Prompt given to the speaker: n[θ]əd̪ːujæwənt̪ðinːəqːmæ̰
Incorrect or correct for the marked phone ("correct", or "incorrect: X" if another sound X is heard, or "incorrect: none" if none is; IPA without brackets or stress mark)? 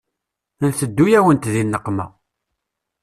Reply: correct